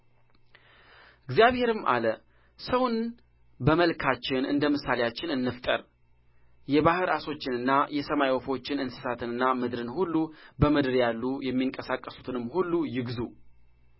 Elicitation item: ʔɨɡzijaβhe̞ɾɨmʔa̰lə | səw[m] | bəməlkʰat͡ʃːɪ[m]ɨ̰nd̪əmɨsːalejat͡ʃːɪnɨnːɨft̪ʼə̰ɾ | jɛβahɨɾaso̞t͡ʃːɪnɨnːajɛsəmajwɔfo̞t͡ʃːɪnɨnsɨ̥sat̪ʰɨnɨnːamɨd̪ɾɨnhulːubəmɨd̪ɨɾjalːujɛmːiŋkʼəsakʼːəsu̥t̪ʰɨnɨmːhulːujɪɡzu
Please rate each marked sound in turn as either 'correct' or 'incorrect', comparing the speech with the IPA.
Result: incorrect: n, incorrect: n

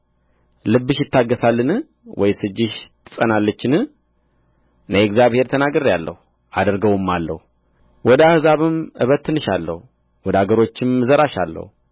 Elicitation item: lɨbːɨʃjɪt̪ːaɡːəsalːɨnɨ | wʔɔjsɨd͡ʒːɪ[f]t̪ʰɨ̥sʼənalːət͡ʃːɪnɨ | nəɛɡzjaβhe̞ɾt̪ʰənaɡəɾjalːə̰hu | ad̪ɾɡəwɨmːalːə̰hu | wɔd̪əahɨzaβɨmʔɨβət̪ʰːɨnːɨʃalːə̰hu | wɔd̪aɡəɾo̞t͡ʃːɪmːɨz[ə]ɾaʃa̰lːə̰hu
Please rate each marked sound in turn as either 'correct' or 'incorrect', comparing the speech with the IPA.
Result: incorrect: ʃ, correct

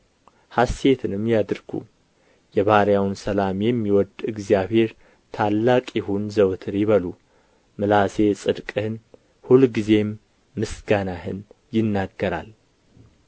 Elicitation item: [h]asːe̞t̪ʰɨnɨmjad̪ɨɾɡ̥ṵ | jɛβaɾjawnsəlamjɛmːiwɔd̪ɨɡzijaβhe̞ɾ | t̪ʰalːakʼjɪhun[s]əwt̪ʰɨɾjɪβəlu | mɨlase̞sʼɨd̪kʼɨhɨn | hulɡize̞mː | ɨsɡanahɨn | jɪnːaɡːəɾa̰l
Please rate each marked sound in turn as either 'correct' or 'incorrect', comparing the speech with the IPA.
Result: correct, incorrect: z

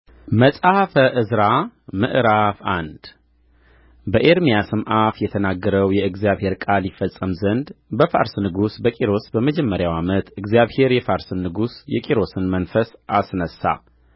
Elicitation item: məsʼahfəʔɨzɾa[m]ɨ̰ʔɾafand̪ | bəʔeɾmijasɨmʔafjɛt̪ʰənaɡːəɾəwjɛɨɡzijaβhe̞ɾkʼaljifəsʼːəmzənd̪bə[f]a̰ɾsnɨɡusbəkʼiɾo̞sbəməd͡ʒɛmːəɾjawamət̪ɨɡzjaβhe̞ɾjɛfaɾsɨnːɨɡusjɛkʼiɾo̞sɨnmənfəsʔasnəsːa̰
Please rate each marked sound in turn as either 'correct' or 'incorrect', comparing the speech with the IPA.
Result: correct, correct

